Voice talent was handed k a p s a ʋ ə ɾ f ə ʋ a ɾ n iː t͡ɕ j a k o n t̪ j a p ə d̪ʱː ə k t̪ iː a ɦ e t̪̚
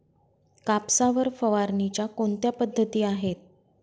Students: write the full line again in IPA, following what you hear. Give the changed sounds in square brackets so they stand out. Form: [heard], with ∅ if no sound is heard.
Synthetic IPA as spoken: k a p s a ʋ ə ɾ f ə ʋ a ɾ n [i] t͡ɕ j a k o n t̪ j a p ə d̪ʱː ə [∅] t̪ iː a ɦ e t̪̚